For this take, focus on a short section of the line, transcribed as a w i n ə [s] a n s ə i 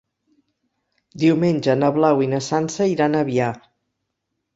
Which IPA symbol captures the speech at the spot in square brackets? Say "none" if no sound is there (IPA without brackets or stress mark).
s